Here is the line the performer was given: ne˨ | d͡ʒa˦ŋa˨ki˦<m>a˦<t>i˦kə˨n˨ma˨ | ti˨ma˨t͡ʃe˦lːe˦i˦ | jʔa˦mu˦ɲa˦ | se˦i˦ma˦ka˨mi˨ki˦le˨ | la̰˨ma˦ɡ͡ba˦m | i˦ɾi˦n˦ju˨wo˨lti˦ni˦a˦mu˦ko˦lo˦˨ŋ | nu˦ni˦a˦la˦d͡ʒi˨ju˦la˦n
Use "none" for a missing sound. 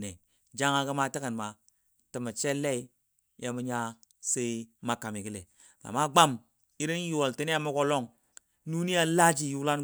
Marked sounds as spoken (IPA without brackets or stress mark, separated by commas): m, t